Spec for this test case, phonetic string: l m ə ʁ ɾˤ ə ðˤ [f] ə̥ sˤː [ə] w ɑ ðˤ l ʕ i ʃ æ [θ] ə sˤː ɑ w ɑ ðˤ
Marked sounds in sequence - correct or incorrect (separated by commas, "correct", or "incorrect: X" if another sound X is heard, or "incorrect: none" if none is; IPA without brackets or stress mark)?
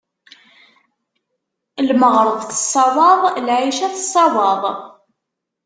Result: incorrect: θ, incorrect: ɑ, correct